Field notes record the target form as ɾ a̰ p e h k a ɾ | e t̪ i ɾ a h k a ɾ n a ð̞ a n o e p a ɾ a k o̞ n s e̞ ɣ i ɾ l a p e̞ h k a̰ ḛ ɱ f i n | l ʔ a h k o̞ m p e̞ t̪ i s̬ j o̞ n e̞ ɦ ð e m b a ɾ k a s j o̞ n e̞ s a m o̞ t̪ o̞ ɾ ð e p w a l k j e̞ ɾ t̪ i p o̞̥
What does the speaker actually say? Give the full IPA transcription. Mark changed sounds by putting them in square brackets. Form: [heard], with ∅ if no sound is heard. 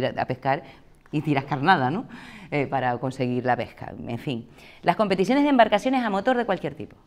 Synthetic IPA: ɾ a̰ p e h k a ɾ | [i] t̪ i ɾ a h k a ɾ n a ð̞ a n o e p a ɾ a k o̞ n s e̞ ɣ i ɾ l a p e̞ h k a̰ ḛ ɱ f i [ŋ] | l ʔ a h k o̞ m p e̞ t̪ i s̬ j o̞ n e̞ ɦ ð e m b a ɾ k a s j o̞ n e̞ s a m o̞ t̪ o̞ ɾ ð e [k] w a l k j e̞ ɾ t̪ i p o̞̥